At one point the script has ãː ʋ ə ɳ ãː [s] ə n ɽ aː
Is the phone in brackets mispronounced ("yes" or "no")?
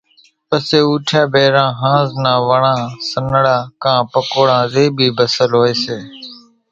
no